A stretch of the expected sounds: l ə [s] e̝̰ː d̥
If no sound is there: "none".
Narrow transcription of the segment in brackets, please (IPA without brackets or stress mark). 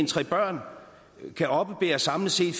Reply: s